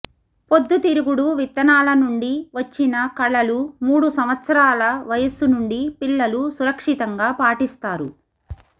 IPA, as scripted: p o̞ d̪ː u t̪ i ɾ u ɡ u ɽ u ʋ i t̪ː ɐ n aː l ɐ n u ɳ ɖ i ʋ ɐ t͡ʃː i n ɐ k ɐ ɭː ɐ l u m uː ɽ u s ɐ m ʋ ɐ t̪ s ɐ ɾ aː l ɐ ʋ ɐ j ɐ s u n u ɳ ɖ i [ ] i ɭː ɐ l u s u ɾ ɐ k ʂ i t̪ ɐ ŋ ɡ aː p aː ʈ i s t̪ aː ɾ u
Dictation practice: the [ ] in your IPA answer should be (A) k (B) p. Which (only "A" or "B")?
B